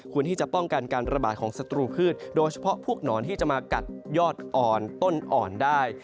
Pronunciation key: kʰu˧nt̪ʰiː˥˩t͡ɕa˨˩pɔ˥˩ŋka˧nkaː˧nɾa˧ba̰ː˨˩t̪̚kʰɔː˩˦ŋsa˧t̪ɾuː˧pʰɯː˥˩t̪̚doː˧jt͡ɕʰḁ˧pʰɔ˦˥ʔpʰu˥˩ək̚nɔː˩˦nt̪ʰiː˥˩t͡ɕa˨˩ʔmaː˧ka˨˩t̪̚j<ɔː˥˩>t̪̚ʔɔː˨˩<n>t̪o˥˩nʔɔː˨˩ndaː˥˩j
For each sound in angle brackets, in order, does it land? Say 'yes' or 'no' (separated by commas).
yes, yes